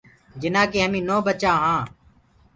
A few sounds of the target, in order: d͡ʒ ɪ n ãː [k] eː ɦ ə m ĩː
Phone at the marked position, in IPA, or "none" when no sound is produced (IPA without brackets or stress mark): k